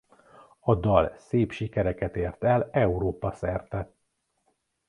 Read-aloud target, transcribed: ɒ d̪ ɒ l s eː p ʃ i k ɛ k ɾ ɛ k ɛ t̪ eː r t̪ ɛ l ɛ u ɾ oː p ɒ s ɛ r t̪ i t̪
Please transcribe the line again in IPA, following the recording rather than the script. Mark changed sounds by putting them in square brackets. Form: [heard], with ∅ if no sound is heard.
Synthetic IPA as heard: ɒ d̪ ɒ l s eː p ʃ i k ɛ [∅] ɾ ɛ k ɛ t̪ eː r t̪ ɛ l ɛ u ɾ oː p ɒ s ɛ r t̪ [ɛ] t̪